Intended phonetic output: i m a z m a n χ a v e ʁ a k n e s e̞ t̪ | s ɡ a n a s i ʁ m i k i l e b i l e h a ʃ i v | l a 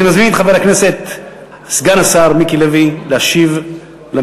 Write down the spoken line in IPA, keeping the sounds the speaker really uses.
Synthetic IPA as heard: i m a z m i n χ a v e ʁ a k n e s e̞ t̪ | s ɡ a n a s a ʁ m i k i l e v i l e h a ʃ i v | l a